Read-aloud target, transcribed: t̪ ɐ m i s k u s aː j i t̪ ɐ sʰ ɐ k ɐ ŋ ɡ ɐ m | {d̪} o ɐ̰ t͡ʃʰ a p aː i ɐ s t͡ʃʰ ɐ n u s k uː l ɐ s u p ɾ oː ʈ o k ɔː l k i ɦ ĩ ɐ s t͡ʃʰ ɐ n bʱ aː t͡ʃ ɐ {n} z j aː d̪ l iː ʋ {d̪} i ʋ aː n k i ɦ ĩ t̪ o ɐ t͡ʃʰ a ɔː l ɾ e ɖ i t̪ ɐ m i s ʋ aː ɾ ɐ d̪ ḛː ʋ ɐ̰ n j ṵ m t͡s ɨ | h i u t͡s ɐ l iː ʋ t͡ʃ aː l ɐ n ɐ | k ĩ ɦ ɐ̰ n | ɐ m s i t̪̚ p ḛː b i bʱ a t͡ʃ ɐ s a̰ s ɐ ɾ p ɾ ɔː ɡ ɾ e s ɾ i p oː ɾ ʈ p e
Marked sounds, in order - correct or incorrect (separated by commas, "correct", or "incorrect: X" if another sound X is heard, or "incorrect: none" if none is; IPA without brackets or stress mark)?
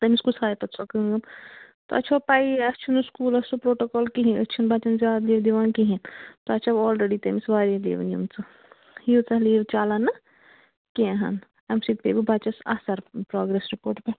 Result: incorrect: t̪, correct, correct